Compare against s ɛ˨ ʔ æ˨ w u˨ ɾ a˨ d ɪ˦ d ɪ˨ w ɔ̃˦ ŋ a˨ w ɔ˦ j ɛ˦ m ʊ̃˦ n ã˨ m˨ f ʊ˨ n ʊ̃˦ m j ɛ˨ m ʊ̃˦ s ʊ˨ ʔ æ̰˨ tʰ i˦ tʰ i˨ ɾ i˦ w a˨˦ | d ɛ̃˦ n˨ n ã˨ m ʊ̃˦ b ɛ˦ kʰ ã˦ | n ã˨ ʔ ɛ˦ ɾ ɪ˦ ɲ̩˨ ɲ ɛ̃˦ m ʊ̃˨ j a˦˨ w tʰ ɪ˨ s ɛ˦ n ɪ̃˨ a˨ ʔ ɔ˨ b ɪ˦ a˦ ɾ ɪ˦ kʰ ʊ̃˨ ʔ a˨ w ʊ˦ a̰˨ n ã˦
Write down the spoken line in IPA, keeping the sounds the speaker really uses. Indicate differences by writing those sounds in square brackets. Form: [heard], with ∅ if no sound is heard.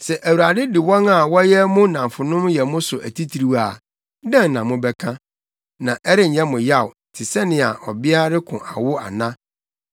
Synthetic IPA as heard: s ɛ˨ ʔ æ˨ w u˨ ɾ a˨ d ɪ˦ d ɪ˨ w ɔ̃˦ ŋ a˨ w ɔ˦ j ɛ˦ m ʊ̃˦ n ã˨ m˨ f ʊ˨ n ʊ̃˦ m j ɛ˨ m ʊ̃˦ s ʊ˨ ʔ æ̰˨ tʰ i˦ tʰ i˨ ɾ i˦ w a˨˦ | d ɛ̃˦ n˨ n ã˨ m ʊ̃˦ b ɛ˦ kʰ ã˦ | n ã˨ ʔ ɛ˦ ɾ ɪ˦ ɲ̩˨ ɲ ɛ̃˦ m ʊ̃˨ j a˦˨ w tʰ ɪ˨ s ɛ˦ n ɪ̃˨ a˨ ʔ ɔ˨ b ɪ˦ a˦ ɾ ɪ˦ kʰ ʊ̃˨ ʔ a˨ w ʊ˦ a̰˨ n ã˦